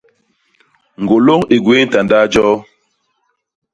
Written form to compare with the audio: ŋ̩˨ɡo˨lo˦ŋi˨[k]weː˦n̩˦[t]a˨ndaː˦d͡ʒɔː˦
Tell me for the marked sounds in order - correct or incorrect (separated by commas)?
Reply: incorrect, correct